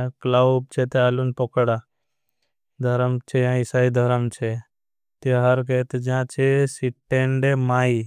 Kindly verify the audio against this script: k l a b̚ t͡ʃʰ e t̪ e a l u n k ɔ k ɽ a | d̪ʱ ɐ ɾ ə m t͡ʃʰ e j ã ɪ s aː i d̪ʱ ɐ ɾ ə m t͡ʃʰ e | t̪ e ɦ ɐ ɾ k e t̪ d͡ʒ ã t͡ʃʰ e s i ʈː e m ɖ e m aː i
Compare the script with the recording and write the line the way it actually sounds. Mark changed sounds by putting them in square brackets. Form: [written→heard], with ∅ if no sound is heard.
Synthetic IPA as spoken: k l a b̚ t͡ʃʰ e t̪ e a l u n [k→p] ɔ k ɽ a | d̪ʱ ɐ ɾ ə m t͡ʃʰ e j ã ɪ s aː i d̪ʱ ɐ ɾ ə m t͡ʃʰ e | t̪ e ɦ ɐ ɾ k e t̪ d͡ʒ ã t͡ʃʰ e s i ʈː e [m→ɳ] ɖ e m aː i

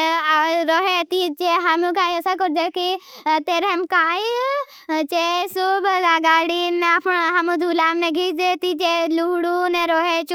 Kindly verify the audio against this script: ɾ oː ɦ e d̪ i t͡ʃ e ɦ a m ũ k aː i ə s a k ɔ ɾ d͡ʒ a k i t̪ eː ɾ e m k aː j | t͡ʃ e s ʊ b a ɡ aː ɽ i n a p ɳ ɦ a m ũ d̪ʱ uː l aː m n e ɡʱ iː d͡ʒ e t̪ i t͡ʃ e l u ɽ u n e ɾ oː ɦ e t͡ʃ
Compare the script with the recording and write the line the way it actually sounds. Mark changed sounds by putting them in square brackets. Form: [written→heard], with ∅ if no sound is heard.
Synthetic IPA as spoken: ɾ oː ɦ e [d̪→t̪] i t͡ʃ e ɦ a m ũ k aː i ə s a k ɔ ɾ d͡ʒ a k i t̪ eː ɾ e m k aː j | t͡ʃ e s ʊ b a ɡ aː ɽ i n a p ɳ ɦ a m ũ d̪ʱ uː l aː m n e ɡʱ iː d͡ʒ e t̪ i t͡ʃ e l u ɽ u n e ɾ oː ɦ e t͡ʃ

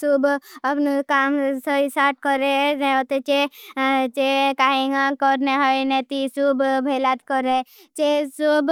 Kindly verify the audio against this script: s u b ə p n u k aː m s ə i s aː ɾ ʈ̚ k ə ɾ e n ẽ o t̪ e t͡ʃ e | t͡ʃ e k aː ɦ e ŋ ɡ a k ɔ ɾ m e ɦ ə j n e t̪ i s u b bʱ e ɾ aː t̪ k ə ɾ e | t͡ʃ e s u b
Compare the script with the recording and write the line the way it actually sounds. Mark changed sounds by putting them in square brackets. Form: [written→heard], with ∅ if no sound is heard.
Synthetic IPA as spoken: s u b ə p n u k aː m s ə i s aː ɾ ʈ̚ k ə ɾ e n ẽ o t̪ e t͡ʃ e | t͡ʃ e k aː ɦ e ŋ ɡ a k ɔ ɾ [m→n] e ɦ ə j n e t̪ i s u b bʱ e [ɾ→l] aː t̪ k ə ɾ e | t͡ʃ e s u b

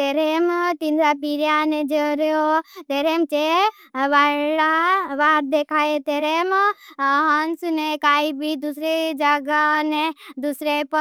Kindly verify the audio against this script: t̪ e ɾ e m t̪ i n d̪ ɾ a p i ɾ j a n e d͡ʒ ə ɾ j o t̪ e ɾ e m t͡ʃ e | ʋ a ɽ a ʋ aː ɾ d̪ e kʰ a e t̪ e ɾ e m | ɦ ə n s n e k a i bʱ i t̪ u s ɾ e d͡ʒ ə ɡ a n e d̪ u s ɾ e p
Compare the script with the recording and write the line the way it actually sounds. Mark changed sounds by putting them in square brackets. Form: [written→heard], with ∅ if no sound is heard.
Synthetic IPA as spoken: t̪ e ɾ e m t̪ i n d̪ ɾ a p i ɾ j a n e d͡ʒ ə ɾ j o t̪ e ɾ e m t͡ʃ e | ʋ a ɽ a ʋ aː ɾ d̪ e kʰ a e t̪ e ɾ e m | ɦ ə n s n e k a i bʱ i [t̪→d̪] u s ɾ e d͡ʒ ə ɡ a n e d̪ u s ɾ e p

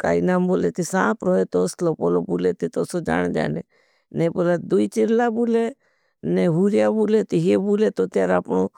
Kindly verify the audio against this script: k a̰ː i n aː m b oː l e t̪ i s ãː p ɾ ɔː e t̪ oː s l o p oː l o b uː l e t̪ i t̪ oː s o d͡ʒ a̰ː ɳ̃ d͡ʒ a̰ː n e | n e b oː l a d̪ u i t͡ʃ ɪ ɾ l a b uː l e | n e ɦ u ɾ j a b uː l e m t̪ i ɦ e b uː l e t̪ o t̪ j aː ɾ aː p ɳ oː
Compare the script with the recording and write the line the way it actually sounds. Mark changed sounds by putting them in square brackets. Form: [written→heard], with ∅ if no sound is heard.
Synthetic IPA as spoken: k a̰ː i n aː m b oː l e t̪ i s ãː p ɾ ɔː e t̪ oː s l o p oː l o b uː l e t̪ i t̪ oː s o d͡ʒ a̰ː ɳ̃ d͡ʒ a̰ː n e | n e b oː l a d̪ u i t͡ʃ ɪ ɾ l a b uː l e | n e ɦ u ɾ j a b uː l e [m→∅] t̪ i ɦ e b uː l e t̪ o t̪ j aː ɾ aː p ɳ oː

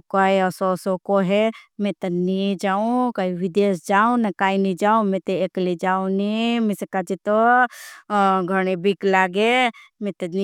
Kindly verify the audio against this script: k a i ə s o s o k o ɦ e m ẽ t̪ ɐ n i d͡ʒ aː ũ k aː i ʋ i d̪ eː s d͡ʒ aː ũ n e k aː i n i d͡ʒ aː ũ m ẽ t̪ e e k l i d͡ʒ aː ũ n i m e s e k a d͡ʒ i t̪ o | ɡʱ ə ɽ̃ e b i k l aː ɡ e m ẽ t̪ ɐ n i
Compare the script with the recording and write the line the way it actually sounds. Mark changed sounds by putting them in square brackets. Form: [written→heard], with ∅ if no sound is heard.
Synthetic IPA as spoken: k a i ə s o s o k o ɦ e m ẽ t̪ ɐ n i d͡ʒ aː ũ k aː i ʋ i d̪ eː s d͡ʒ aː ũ n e k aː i n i d͡ʒ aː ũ m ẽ t̪ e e k l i d͡ʒ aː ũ n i m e s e k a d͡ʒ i t̪ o | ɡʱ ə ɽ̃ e b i k l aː ɡ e m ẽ t̪ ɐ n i

